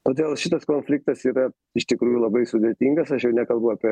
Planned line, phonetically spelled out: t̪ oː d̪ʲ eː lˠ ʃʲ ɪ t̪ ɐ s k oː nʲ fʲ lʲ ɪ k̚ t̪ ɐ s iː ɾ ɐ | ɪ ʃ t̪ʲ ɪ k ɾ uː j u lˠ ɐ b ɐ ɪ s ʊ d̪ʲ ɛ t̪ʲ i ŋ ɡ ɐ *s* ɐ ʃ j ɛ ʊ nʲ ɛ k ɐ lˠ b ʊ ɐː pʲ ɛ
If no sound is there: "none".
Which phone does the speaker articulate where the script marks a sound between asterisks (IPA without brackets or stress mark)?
s